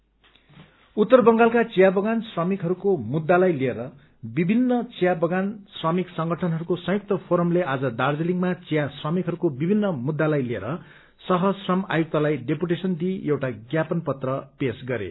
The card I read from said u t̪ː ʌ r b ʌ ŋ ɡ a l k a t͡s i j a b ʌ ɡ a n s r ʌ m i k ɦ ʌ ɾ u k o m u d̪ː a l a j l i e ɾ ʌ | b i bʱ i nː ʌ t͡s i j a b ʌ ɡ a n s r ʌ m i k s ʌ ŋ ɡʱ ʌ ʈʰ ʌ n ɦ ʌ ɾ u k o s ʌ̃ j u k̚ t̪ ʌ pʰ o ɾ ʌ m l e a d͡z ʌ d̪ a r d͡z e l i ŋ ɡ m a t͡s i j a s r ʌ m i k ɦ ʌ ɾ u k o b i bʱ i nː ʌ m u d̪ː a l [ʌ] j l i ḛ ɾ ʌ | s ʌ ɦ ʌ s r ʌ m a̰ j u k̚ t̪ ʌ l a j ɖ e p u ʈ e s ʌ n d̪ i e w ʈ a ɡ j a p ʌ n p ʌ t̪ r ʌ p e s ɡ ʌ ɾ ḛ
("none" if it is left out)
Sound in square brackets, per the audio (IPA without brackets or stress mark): a